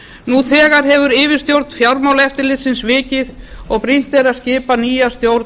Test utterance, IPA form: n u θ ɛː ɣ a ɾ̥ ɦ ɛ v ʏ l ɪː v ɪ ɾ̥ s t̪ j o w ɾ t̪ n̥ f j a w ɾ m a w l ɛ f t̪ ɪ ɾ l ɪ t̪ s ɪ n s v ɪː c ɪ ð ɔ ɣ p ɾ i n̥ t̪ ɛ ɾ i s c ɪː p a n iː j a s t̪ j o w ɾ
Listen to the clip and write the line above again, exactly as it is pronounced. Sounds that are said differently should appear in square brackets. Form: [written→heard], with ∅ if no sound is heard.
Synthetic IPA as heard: n u θ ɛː ɣ a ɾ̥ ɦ ɛ v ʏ [l→ɾ] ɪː v ɪ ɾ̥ s t̪ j o w ɾ t̪ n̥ f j a w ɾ m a w l ɛ f t̪ ɪ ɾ l ɪ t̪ s ɪ n s v ɪː c ɪ ð ɔ ɣ p ɾ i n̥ t̪ ɛ ɾ [i→a] s c ɪː p a n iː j a s t̪ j o w ɾ